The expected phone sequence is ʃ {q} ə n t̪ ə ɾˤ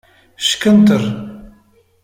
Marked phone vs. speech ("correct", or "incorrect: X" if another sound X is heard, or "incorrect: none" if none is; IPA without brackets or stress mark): incorrect: k